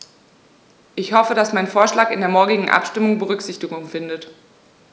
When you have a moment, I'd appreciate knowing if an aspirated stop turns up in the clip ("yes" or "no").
no